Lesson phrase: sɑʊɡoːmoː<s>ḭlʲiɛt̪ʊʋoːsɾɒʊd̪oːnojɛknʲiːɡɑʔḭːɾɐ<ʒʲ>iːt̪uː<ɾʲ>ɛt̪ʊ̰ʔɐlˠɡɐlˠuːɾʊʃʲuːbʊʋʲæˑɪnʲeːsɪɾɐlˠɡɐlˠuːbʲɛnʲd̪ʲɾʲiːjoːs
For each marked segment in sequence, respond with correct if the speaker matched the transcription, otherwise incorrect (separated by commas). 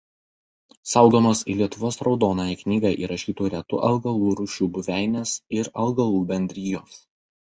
correct, incorrect, correct